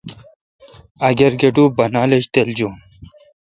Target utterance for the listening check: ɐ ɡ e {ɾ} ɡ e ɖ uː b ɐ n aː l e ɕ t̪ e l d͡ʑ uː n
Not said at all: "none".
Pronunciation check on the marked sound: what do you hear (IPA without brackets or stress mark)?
ɾ